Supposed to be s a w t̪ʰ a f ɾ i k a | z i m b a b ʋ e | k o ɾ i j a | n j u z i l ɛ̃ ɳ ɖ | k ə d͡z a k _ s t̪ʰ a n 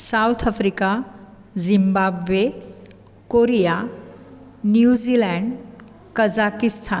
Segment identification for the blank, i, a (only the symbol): i